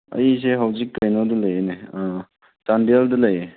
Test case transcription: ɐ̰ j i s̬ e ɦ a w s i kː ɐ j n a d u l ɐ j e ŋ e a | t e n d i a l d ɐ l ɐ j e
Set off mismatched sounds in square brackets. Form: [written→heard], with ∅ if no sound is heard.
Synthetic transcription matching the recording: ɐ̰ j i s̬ e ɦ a w [s→z] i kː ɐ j n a d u l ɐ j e [ŋ→n] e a | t [e→a] n d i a l d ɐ l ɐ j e